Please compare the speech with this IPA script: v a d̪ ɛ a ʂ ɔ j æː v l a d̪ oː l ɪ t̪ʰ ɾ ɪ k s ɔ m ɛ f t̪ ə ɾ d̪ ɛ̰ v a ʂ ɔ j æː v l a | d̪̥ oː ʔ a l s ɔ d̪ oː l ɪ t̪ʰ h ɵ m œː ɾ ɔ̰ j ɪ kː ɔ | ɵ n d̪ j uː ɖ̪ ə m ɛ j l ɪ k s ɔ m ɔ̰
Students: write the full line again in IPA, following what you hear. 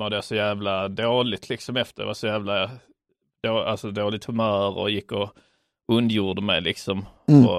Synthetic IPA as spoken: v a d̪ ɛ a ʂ ɔ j æː v l a d̪ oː l ɪ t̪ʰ l ɪ k s ɔ m ɛ f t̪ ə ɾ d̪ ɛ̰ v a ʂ ɔ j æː v l a | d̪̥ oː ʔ a l s ɔ d̪ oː l ɪ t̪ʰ h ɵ m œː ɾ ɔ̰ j ɪ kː ɔ | ɵ n d̪ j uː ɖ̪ ə m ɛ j l ɪ k s ɔ m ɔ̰